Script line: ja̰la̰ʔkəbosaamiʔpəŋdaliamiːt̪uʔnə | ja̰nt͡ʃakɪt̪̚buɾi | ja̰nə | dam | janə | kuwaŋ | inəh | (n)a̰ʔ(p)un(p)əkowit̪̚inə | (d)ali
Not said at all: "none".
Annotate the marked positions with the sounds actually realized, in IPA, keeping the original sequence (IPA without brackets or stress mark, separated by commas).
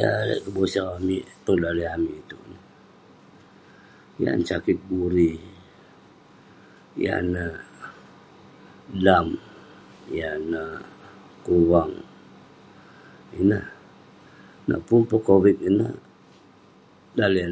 n, p, p, d